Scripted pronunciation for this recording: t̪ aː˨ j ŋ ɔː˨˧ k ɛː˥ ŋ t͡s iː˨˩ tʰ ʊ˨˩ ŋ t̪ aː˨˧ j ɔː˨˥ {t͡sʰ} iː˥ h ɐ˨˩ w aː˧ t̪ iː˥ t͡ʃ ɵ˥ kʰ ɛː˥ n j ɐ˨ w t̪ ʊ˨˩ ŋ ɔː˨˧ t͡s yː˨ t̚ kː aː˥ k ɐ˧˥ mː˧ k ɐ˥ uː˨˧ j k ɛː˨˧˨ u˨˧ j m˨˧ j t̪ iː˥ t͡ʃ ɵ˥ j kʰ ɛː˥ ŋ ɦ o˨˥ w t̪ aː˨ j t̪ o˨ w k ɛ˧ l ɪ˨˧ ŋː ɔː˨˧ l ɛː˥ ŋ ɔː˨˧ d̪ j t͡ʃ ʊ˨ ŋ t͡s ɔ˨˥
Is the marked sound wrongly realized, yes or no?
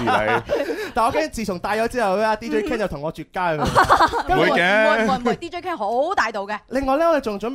yes